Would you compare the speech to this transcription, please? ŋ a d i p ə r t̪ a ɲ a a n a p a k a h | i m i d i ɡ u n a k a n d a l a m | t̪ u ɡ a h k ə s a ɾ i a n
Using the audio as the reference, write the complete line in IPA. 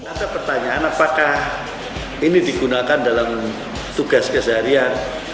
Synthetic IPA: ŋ a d a p ə r t̪ a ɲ a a n a p a k a h | i n i d i ɡ u n a k a n d a l a m | t̪ u ɡ a s k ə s a ɾ i a n